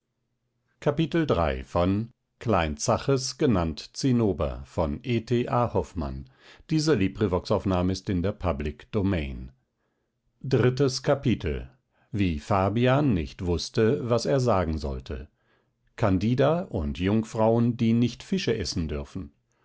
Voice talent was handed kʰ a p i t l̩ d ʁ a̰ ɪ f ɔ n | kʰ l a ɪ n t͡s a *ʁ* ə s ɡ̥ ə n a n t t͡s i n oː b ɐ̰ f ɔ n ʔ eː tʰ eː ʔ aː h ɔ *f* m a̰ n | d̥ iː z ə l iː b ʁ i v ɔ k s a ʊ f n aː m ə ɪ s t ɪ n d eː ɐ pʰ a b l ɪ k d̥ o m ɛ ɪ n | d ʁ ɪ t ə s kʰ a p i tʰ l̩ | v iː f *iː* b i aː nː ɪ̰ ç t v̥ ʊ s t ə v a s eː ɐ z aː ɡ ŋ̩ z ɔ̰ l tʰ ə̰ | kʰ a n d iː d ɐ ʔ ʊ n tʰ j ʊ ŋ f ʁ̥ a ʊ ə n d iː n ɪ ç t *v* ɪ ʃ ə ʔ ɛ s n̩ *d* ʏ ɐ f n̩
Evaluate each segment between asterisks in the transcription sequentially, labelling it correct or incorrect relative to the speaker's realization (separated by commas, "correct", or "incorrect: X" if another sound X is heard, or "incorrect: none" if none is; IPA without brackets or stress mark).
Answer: incorrect: χ, correct, incorrect: aː, incorrect: f, correct